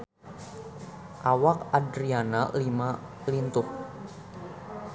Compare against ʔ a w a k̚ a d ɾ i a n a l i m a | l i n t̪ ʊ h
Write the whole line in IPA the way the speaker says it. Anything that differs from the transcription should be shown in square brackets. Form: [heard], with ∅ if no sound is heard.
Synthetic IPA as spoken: ʔ a w a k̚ a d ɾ i a n a l i m a | l i n t̪ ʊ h

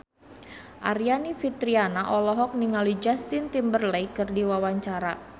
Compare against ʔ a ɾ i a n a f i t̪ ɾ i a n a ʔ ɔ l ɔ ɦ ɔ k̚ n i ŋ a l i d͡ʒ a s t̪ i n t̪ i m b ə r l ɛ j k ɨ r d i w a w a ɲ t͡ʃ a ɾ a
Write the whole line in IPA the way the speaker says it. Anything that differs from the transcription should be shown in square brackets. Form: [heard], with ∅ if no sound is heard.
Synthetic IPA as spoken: ʔ a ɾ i a n [i] f i t̪ ɾ i a n a ʔ ɔ l ɔ ɦ ɔ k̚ n i ŋ a l i d͡ʒ a s t̪ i n t̪ i m b ə r l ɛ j k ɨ r d i w a w a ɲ t͡ʃ a ɾ a

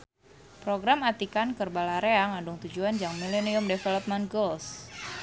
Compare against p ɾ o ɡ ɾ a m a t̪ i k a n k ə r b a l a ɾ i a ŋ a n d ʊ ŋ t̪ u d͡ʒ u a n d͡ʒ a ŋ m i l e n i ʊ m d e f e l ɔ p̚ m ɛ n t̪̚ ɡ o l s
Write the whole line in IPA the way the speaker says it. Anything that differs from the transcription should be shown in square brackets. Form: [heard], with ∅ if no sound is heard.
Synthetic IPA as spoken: p ɾ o ɡ ɾ a m a t̪ i k a n k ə r b a l a ɾ [e] a ŋ a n d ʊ ŋ t̪ u d͡ʒ u a n d͡ʒ a ŋ m i l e n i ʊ m d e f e l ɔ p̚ m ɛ n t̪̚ ɡ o l s

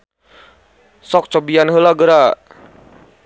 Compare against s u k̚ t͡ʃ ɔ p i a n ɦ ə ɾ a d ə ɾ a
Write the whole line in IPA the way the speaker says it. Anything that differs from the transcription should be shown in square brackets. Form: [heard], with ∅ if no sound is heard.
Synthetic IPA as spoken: s [ɔ] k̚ t͡ʃ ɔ [b] i a n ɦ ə [l] a [ɡ] ə ɾ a

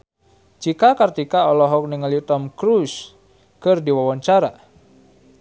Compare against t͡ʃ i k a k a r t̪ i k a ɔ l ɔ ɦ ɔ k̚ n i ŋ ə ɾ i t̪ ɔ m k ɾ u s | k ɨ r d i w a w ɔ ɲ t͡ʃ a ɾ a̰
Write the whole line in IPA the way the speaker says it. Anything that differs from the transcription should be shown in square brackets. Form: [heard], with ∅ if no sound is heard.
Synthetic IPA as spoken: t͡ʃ i k a k a r t̪ i k a ɔ l ɔ ɦ ɔ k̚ n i ŋ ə [l] i t̪ ɔ m k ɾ u s | k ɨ r d i w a w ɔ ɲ t͡ʃ a ɾ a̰

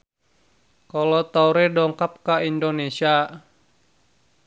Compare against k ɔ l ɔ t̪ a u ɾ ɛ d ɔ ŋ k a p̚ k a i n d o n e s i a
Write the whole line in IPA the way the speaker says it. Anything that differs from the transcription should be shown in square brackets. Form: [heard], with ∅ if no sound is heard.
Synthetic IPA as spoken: k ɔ l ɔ t̪ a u ɾ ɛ d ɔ ŋ k a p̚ k a i n d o n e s i a

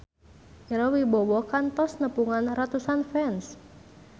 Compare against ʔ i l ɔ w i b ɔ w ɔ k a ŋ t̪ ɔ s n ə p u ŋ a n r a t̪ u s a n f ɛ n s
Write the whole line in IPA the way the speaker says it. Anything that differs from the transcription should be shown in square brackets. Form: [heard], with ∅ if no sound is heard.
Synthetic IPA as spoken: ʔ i [ɾ] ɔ w i b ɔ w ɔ k a [n] t̪ ɔ s n ə p u ŋ a n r a t̪ u s a n f ɛ n s

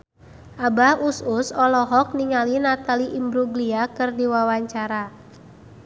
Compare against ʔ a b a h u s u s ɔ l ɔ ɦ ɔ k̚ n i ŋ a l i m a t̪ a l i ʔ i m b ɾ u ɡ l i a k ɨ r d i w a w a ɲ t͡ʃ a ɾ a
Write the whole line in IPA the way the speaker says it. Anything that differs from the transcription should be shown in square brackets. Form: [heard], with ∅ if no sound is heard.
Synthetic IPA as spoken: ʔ a b a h u s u s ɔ l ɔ ɦ ɔ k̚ n i ŋ a l i [n] a t̪ a l i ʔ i m b ɾ u ɡ l i a k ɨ r d i w a w a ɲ t͡ʃ a ɾ a

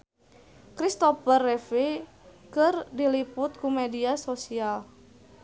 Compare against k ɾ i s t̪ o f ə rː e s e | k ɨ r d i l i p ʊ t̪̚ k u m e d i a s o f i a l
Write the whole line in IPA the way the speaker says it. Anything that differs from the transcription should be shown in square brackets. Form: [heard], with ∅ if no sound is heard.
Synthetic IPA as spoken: k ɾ i s t̪ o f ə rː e [f] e | k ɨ r d i l i p ʊ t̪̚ k u m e d i a s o [s] i a l

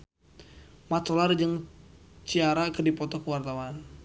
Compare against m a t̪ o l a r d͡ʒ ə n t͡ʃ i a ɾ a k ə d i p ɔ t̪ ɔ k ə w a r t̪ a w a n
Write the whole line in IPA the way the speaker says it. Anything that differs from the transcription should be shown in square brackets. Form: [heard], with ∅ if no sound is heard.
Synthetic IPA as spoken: m a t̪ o l a r d͡ʒ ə [ŋ] t͡ʃ i a ɾ a k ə d i p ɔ t̪ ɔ k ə w a r t̪ a w a n

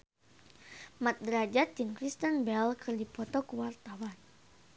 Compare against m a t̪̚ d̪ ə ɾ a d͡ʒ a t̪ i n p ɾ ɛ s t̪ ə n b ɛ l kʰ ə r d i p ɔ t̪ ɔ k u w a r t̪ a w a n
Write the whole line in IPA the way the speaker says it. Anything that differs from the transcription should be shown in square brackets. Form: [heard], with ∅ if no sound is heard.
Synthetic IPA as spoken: m a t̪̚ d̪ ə ɾ a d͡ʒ a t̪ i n [k] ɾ [i] s t̪ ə n b ɛ l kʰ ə r d i p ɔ t̪ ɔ k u w a r t̪ a w a n

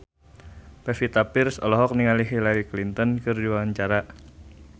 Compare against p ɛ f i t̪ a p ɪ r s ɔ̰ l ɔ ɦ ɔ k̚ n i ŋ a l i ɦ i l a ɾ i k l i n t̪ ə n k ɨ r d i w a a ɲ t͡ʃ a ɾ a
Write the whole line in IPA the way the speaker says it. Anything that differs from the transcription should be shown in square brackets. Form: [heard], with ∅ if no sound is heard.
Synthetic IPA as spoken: p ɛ f i t̪ a p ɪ r s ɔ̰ l ɔ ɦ ɔ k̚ n i ŋ a l i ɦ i l a ɾ i k l i n t̪ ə n k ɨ r d i w a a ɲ t͡ʃ a ɾ a

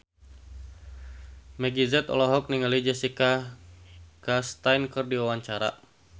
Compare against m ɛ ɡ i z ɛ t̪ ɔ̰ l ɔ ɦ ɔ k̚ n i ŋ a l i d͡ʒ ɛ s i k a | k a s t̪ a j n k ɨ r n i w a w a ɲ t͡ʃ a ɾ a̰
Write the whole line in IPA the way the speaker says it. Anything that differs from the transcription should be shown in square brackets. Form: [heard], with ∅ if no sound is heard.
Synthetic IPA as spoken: m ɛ ɡ i z ɛ t̪ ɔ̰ l ɔ ɦ ɔ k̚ n i ŋ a l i d͡ʒ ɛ s i k a | k a s t̪ a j n k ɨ r [d] i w a w a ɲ t͡ʃ a ɾ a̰

